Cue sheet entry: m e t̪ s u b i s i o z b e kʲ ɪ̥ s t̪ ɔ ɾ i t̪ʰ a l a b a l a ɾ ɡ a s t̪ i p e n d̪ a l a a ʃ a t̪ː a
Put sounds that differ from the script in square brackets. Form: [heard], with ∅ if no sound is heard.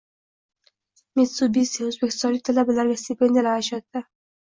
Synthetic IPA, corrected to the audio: m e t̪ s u b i s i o z b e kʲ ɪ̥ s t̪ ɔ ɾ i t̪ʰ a l a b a l a ɾ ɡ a s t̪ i p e n d̪ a l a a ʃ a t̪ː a

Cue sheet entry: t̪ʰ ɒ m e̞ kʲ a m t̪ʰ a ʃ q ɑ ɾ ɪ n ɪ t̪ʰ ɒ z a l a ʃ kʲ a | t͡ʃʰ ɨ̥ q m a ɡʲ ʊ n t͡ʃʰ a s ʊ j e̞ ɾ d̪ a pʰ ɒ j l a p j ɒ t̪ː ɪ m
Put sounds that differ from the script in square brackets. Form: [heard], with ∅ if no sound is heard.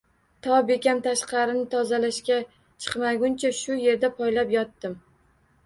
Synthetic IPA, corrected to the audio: t̪ʰ ɒ [b] e̞ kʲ a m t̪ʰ a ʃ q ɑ ɾ ɪ n ɪ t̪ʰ ɒ z a l a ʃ kʲ a | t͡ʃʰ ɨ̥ q m a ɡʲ ʊ n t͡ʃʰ a [ʃ] ʊ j e̞ ɾ d̪ a pʰ ɒ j l a p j ɒ t̪ː ɪ m

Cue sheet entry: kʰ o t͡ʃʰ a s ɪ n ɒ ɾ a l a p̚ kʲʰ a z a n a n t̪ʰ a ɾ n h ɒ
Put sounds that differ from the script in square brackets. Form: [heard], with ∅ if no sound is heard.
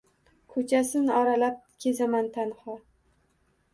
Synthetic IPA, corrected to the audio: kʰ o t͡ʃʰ a s ɪ n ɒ ɾ a l a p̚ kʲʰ [e] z a [m] a n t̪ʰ a [∅] n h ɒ

